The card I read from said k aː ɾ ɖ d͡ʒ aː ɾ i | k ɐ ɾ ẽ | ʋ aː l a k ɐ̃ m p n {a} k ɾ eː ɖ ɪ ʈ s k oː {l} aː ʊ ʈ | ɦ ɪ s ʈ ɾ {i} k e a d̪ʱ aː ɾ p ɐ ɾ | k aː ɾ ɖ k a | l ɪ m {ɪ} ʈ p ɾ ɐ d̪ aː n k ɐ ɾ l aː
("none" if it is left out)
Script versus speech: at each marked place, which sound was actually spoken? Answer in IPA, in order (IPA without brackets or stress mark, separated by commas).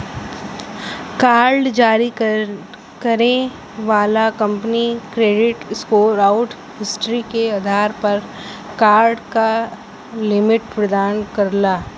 i, ɾ, i, ɪ